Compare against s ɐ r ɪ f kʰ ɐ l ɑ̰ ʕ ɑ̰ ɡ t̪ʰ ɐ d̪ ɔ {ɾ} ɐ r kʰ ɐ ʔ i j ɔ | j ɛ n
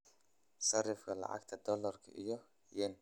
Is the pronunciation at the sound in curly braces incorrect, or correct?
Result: incorrect